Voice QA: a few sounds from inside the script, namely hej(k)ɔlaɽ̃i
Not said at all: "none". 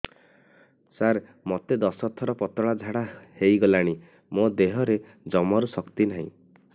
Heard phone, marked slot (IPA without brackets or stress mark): ɡ